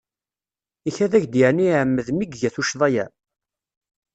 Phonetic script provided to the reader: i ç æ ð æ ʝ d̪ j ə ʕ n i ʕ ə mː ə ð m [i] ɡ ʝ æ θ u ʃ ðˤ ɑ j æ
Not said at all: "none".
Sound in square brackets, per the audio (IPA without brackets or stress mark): i